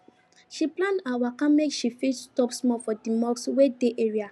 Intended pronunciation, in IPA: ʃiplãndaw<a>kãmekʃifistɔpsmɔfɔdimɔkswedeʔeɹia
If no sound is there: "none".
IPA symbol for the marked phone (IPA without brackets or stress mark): a